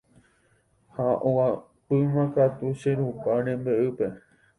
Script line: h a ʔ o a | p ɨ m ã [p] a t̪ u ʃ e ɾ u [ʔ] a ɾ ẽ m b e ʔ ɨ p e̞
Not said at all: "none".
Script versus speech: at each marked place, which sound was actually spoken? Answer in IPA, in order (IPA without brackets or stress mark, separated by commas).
k, p